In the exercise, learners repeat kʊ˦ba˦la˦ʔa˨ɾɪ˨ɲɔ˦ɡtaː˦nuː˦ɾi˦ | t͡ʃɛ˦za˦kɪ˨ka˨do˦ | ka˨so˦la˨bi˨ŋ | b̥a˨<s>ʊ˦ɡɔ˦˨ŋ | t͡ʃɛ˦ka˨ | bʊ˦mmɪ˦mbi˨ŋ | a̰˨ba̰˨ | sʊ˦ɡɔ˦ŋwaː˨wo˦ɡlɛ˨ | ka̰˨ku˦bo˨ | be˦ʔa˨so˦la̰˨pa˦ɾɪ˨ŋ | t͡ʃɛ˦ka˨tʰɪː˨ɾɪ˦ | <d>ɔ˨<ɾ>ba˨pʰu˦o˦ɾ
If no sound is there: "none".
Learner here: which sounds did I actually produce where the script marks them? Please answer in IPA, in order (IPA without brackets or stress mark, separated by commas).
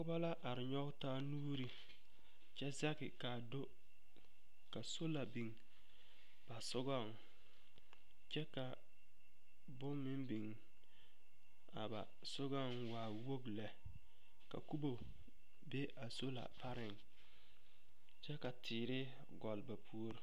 s, ɡ, l